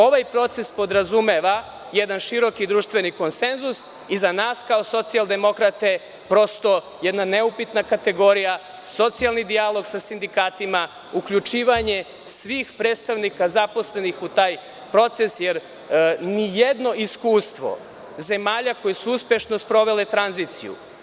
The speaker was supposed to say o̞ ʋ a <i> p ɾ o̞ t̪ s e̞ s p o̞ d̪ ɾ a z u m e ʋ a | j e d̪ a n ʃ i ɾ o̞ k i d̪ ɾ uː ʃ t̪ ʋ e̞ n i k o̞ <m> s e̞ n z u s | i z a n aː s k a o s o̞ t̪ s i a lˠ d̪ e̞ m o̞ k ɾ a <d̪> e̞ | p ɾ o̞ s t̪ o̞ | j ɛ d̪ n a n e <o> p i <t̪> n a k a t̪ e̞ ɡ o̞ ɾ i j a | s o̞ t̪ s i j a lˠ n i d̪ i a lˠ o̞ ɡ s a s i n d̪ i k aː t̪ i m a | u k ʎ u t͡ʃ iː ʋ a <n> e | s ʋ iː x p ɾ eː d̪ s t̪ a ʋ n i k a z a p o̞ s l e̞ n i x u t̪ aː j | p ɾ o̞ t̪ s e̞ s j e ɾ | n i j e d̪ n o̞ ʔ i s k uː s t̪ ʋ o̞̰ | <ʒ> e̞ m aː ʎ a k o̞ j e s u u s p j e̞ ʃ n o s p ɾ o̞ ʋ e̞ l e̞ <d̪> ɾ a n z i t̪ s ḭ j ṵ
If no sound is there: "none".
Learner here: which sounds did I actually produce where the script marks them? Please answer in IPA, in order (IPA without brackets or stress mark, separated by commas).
j, n, t̪, u, t̪, ɲ, z, t̪